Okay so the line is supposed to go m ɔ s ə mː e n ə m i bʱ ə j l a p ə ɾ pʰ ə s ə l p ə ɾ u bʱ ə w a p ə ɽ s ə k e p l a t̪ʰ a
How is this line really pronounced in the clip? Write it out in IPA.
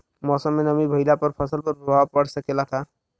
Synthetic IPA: m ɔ s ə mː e n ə m i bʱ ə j l a p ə ɾ pʰ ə s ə l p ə ɾ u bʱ a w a p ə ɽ s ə k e l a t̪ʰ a